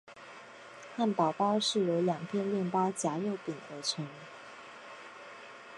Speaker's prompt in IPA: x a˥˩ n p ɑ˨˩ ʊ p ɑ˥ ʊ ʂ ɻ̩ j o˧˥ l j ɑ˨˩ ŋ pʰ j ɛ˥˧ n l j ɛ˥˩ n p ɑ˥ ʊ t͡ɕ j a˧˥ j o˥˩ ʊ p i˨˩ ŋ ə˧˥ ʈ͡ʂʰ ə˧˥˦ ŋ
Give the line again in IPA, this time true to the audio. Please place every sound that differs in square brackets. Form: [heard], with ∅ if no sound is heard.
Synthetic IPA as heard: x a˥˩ n p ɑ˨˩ ʊ p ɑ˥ ʊ ʂ ɻ̩ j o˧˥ l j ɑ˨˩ ŋ pʰ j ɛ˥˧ n l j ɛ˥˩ n p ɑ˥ ʊ t͡ɕ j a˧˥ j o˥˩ ʊ p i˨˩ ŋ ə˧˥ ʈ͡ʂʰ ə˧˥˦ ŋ